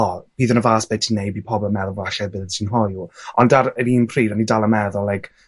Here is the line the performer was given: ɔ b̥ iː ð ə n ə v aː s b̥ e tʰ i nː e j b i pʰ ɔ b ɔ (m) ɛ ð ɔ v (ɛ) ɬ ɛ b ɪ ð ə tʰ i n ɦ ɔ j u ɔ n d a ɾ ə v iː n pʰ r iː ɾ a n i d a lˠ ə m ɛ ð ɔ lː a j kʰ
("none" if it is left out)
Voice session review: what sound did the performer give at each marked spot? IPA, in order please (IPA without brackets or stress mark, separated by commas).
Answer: m, a